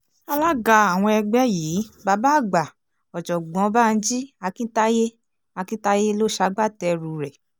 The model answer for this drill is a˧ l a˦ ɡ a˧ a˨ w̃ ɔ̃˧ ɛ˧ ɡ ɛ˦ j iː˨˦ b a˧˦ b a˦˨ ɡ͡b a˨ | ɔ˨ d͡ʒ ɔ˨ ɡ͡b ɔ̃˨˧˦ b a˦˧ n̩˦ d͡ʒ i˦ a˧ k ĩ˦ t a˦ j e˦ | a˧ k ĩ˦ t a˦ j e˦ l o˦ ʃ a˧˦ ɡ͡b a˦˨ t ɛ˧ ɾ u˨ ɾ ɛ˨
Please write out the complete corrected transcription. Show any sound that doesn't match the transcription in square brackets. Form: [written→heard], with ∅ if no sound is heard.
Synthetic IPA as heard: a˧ l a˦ ɡ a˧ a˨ w̃ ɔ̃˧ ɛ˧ [ɡ→ɡ͡b] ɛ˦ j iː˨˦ b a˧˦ b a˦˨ ɡ͡b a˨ | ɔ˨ d͡ʒ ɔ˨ ɡ͡b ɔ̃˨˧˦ b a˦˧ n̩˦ d͡ʒ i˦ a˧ k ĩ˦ t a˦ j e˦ | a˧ k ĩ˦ t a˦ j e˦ l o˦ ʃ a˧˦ ɡ͡b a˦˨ t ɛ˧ ɾ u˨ ɾ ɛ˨